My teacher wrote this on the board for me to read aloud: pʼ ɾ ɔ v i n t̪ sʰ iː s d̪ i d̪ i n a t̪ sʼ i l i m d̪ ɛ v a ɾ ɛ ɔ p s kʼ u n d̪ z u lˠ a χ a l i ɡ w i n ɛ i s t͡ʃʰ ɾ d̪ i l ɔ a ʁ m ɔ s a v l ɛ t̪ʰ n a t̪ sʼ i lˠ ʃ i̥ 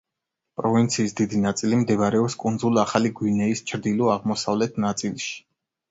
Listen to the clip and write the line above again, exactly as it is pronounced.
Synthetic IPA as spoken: pʼ ɾ ɔ v i n t̪ sʰ iː s d̪ i d̪ i n a t̪ sʼ i l i m d̪ ɛ v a ɾ ɛ ɔ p s kʼ u n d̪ z u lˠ a χ a l i ɡ w i n ɛ i s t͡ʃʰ ɾ d̪ i l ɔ a ʁ m ɔ s a v l ɛ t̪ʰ n a t̪ sʼ i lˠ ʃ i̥